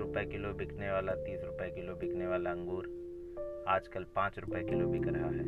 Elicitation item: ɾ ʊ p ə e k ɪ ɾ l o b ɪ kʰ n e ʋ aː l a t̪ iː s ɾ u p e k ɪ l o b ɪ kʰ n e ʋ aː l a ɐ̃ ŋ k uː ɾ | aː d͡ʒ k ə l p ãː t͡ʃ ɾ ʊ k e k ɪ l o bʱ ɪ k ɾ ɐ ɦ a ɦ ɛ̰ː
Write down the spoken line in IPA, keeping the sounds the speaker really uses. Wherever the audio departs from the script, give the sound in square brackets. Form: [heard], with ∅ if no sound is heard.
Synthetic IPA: ɾ ʊ p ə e k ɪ [∅] l o b ɪ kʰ n e ʋ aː l a t̪ iː s ɾ [ʊ] p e k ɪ l o b ɪ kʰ n e ʋ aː l a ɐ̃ ŋ [ɡ] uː ɾ | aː d͡ʒ k ə l p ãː t͡ʃ ɾ ʊ [p] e k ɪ l o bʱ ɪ k ɾ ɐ ɦ a ɦ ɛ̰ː